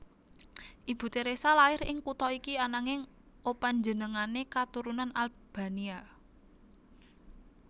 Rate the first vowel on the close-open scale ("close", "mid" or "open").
close